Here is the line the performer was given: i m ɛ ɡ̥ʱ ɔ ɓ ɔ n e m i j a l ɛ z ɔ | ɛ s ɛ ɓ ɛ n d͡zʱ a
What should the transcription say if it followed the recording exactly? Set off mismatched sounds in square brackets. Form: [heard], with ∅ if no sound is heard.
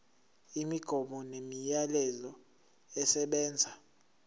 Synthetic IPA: i m [i] ɡ̥ʱ ɔ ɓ ɔ n e m i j a l ɛ z ɔ | ɛ s ɛ ɓ [ɛː] n d͡zʱ a